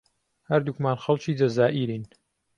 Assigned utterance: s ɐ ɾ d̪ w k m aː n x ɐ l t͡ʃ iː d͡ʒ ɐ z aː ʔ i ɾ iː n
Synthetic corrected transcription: h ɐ ɾ d̪ u k m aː n x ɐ l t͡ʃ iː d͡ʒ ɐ z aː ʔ i ɾ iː n